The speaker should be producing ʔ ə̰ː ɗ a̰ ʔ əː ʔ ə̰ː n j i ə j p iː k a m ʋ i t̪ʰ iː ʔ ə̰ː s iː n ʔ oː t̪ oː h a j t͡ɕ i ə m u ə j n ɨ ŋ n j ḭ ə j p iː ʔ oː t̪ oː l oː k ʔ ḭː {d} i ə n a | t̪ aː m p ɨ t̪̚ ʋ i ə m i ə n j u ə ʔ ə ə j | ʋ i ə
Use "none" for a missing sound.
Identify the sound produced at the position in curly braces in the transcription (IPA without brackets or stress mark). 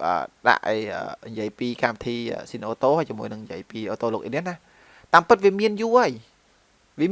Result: n